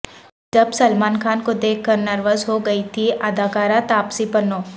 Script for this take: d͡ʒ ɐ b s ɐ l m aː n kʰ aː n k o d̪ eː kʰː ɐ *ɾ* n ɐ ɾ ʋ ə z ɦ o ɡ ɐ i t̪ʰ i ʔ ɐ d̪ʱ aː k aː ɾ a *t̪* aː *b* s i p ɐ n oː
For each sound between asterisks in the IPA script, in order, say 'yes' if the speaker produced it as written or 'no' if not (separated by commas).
yes, yes, no